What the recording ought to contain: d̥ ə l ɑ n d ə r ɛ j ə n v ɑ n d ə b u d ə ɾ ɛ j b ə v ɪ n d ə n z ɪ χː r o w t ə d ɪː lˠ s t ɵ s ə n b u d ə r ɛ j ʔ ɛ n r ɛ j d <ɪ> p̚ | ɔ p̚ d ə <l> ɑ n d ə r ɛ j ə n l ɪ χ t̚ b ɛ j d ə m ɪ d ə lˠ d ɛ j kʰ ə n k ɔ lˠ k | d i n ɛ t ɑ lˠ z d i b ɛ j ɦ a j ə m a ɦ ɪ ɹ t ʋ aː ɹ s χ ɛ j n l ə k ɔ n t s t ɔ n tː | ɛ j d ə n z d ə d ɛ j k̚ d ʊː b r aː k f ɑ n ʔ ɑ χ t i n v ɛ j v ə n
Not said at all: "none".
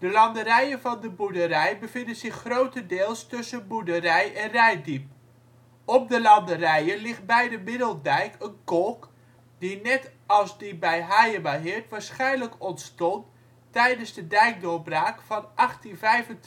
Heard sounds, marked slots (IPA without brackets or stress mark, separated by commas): i, l